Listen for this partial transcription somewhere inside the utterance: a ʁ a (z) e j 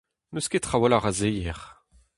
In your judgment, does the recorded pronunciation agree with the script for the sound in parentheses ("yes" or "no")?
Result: yes